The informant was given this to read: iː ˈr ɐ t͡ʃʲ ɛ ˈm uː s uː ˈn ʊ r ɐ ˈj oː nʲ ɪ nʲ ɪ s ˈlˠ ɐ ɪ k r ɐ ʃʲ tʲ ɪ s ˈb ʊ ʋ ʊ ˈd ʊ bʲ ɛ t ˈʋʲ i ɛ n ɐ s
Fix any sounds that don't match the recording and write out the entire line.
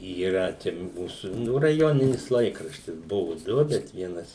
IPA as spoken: iː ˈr ɐ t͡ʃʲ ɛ ˈm uː s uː ˈn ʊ r ɐ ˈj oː nʲ ɪ nʲ ɪ s ˈlˠ ɐ ɪ k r ɐ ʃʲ tʲ ɪ s ˈb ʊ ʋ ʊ ˈd ʊ bʲ ɛ t ˈʋʲ i ɛ n ɐ s